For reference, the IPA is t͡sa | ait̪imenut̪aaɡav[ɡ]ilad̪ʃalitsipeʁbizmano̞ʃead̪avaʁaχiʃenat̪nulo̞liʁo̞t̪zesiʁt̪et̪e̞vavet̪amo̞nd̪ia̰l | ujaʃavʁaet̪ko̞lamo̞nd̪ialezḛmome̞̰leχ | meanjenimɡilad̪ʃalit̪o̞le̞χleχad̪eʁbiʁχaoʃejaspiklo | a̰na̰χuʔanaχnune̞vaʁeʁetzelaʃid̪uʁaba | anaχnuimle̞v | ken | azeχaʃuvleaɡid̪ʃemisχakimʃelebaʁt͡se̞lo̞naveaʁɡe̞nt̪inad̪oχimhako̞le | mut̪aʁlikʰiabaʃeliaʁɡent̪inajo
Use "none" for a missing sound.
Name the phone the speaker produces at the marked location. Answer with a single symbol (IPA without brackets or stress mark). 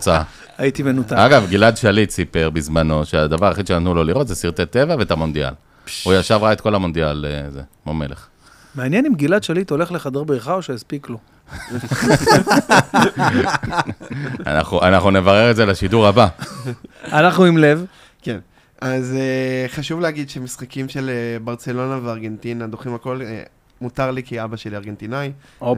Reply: ɡ